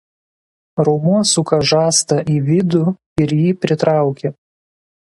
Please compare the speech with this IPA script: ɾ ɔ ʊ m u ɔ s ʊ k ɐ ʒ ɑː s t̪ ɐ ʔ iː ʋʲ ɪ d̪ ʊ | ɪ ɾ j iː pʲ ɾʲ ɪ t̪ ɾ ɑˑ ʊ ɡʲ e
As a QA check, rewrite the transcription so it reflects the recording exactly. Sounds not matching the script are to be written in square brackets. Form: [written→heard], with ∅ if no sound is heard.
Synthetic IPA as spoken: ɾ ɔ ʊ m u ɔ s ʊ k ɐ ʒ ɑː s t̪ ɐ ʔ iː ʋʲ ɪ d̪ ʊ | ɪ ɾ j iː pʲ ɾʲ ɪ t̪ ɾ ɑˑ ʊ [ɡʲ→kʲ] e